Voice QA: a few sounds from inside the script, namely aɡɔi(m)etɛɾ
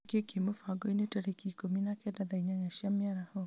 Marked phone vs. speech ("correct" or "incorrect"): incorrect